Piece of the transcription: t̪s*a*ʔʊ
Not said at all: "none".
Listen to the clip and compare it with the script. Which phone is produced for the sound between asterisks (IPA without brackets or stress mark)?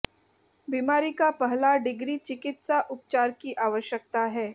a